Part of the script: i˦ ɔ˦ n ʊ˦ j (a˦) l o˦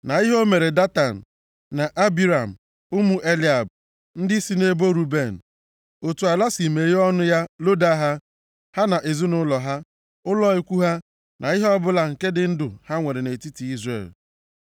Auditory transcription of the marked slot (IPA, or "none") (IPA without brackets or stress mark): a˦